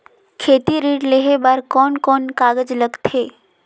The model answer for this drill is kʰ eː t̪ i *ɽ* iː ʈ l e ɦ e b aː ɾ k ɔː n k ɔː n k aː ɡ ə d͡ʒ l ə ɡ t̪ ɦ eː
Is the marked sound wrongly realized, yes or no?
yes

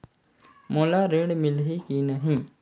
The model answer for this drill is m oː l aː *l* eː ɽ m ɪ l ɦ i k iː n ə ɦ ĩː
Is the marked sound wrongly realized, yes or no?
yes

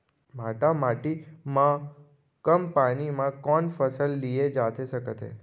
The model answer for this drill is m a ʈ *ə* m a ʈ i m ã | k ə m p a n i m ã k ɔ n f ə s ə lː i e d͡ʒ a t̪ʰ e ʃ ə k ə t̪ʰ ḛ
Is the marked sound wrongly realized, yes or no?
yes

